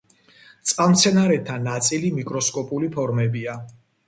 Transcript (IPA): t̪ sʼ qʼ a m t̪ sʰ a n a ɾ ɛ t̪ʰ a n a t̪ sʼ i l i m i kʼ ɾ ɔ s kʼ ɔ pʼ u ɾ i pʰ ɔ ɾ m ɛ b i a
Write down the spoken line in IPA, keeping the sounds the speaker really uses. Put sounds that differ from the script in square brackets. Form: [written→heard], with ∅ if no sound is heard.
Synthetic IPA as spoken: t̪ sʼ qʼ a m t̪ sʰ [a→ɛ] n a ɾ ɛ t̪ʰ a n a t̪ sʼ i l i m i kʼ ɾ ɔ s kʼ ɔ pʼ u [ɾ→l] i pʰ ɔ ɾ m ɛ b i a